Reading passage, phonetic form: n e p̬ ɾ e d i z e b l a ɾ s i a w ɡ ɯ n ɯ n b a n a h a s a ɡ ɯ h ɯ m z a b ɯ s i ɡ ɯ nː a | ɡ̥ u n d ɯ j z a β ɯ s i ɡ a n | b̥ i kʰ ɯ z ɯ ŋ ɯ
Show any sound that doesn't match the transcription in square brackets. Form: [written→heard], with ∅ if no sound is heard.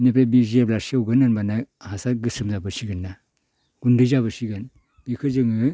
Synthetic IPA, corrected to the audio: n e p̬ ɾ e [d→b] i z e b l a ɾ s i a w ɡ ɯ n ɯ n b a n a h a s a ɡ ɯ [h→s] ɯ m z a b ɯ s i ɡ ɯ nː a | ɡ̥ u n d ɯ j z a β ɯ s i ɡ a n | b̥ i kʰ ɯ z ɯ ŋ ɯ